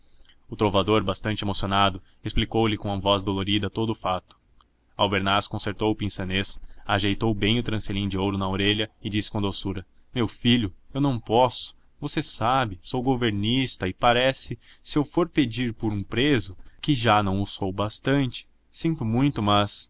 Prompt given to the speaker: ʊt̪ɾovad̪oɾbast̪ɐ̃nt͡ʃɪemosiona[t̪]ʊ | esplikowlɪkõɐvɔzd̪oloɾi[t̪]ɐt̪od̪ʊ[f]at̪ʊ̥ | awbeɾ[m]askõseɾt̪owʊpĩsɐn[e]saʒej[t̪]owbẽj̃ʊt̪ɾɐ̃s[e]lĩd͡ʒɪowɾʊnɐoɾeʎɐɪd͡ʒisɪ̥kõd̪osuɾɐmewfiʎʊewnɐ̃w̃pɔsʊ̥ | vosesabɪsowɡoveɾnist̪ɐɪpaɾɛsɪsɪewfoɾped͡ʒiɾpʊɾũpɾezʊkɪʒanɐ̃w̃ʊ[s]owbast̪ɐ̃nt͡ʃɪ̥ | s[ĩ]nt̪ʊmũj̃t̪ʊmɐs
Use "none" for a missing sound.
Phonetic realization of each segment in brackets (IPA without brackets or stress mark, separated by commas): d̪, d̪, f, n, e, t̪, e, s, ĩ